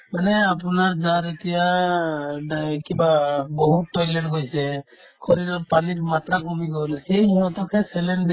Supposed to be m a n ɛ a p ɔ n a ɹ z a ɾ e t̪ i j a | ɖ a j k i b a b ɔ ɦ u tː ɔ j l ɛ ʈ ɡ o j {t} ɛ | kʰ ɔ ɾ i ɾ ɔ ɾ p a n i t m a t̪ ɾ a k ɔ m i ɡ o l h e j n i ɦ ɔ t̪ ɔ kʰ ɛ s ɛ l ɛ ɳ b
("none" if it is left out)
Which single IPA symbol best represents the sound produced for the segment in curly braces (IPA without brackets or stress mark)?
s